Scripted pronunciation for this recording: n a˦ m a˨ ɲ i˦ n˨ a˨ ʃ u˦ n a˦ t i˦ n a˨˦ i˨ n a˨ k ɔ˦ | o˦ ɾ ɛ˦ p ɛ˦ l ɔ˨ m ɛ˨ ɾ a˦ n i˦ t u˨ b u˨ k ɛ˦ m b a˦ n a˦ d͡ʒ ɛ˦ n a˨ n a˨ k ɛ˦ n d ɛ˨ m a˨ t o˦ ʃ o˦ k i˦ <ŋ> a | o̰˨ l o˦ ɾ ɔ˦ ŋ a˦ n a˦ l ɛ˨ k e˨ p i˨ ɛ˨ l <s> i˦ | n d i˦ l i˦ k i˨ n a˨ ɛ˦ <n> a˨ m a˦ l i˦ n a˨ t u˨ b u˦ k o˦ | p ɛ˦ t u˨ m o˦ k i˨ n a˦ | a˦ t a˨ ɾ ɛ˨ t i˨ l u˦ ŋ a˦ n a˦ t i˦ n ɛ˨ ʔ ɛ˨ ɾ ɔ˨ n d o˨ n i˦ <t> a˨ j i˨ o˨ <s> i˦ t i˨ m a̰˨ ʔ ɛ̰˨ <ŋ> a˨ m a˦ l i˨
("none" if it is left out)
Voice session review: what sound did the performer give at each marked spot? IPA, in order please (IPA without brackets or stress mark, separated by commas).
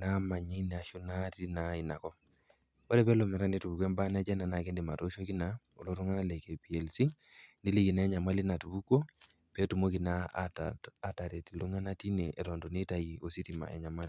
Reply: n, s, ɲ, t, s, ɲ